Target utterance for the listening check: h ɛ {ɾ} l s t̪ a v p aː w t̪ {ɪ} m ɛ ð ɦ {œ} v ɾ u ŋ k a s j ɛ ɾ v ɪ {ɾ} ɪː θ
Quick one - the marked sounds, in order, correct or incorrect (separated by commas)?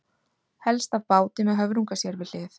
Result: incorrect, correct, correct, incorrect